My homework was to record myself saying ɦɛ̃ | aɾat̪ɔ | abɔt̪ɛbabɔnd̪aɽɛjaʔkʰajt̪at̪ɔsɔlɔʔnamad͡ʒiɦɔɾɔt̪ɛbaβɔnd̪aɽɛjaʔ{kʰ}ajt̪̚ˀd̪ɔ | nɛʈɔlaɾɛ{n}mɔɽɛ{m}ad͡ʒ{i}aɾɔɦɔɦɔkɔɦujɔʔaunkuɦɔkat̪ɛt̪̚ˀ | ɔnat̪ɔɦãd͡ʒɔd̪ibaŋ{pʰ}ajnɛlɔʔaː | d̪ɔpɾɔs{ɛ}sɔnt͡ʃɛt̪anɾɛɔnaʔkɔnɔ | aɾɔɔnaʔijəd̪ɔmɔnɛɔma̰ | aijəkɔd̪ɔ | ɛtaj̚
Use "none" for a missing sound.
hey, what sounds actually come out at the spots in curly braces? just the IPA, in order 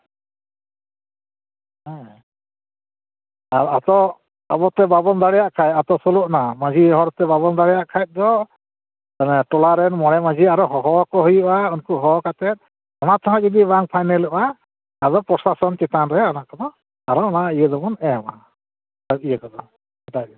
kʰ, n, m, i, pʰ, a

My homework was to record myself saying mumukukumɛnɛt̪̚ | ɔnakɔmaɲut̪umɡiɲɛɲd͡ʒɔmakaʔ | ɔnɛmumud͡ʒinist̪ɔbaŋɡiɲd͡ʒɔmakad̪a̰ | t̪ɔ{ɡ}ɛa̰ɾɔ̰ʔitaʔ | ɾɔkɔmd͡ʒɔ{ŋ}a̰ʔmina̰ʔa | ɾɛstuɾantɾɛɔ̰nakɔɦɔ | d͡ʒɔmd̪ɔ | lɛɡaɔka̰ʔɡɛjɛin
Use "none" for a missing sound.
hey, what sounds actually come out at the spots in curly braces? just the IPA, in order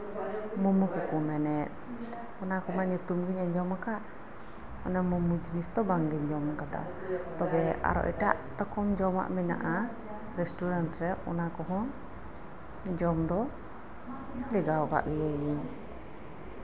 b, m

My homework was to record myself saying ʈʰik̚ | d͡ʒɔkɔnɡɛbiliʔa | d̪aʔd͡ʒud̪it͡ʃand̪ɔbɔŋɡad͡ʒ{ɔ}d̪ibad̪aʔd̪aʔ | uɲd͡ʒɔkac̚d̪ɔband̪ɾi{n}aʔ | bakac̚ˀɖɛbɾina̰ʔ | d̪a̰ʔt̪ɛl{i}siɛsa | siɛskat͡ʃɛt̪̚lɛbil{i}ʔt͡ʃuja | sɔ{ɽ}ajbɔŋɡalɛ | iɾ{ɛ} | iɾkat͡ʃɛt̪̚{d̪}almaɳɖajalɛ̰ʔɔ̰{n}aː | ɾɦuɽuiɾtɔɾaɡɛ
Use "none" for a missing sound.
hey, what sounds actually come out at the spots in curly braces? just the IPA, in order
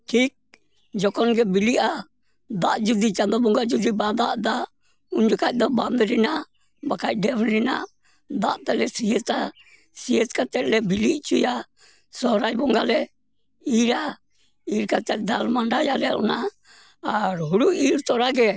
u, n, ɛ, i, ɾ, a, d̪, n

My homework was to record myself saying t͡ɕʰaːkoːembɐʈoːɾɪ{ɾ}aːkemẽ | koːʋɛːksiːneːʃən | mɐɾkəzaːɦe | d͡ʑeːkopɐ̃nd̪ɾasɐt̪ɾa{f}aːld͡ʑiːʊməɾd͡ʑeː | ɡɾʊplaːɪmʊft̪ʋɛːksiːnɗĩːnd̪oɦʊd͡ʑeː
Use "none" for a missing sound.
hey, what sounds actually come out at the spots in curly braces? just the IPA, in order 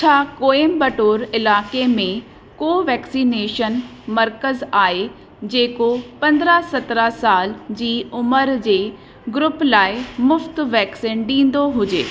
l, s

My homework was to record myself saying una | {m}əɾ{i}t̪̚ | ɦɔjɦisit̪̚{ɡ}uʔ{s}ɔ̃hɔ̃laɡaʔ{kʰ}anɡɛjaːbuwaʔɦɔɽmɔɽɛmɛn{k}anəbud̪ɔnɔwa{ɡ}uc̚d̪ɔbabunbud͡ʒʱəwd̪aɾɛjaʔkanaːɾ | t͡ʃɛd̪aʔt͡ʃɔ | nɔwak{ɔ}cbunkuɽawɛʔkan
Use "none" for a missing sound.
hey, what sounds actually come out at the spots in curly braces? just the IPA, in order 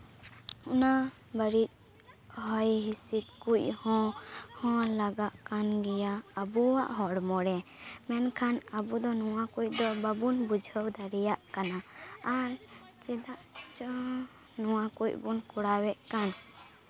b, i, k, h, k, kʰ, k, u

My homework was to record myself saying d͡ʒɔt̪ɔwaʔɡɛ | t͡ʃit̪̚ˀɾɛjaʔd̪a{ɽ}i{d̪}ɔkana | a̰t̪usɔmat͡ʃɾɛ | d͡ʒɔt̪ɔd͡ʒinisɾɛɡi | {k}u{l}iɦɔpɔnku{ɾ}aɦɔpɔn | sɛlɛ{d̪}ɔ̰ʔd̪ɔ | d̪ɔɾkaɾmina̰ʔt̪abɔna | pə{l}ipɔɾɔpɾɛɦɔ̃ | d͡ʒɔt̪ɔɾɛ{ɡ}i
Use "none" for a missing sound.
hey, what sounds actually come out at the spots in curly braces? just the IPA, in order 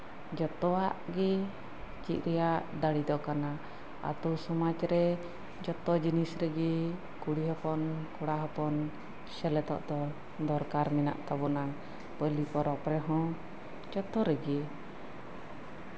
ɽ, d̪, k, ɽ, ɽ, t̪, l, ɡ

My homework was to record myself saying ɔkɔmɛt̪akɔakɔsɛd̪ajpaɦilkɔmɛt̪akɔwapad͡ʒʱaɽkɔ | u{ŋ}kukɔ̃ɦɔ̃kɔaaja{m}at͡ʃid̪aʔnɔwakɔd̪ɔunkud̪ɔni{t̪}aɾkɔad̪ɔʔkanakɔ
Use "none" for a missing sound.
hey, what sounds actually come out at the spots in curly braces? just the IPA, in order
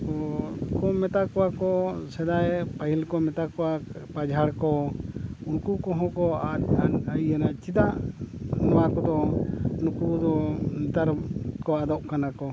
n, n, t̪

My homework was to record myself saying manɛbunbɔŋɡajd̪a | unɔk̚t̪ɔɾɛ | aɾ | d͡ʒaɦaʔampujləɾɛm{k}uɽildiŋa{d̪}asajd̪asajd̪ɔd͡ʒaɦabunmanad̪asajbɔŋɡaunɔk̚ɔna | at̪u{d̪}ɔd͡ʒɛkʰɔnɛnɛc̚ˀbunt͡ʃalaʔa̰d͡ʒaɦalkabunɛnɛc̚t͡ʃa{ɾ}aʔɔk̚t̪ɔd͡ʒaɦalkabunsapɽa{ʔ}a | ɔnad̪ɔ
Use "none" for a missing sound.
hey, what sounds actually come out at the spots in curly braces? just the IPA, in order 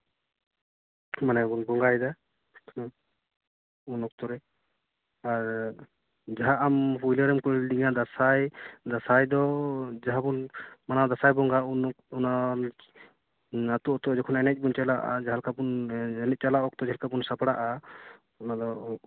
k, d̪, t̪, l, ʔ

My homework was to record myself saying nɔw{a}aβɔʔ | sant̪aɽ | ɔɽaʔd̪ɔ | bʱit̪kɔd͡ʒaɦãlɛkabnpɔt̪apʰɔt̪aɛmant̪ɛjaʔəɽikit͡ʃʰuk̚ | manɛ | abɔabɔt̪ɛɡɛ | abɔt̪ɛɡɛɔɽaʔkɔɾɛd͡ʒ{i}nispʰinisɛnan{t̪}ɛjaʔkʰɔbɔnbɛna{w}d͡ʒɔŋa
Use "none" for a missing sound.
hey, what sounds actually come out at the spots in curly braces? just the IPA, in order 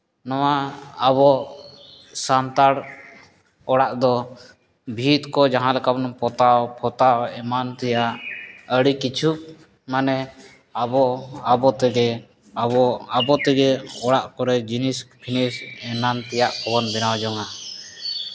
a, i, t̪, w

